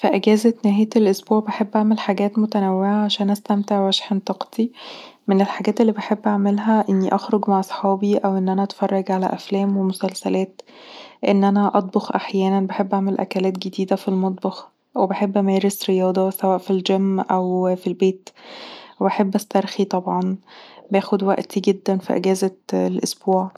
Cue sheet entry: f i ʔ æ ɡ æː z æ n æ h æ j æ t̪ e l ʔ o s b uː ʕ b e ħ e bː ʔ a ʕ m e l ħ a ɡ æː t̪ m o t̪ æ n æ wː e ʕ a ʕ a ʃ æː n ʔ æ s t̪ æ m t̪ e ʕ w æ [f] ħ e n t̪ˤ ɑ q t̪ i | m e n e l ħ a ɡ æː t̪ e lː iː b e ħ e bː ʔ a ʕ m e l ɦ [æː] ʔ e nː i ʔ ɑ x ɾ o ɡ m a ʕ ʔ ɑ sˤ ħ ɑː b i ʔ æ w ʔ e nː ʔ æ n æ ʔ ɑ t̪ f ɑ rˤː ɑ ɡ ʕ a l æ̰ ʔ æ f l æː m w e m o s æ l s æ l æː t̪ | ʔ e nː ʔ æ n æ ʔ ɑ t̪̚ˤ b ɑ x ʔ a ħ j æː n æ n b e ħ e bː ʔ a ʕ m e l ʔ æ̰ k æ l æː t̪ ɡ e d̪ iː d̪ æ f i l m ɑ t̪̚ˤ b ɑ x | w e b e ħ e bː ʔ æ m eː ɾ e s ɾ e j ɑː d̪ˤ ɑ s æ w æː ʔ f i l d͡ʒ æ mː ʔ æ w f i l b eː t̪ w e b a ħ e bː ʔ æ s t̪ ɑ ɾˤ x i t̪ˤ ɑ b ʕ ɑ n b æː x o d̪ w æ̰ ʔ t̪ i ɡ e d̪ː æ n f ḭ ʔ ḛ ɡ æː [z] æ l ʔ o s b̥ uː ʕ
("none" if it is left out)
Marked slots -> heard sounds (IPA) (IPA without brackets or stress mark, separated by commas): ʃ, æ, z